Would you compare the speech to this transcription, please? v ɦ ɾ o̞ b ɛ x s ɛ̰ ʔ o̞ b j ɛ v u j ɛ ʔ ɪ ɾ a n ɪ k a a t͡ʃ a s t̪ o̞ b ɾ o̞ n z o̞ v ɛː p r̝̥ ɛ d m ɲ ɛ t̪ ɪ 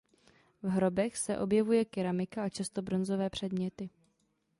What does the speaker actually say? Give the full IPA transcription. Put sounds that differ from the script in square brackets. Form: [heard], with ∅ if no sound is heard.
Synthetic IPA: v ɦ ɾ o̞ b ɛ x s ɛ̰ ʔ o̞ b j ɛ v u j ɛ [k] ɪ ɾ a [m] ɪ k a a t͡ʃ a s t̪ o̞ b ɾ o̞ n z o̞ v ɛː p r̝̥ ɛ d m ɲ ɛ t̪ ɪ